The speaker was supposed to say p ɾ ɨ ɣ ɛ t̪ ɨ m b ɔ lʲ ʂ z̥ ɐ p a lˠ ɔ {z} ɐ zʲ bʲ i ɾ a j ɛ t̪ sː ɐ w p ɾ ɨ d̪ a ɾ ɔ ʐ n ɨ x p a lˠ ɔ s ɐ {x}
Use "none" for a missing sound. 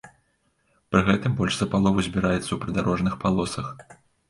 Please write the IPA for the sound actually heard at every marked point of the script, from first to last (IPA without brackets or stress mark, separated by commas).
v, x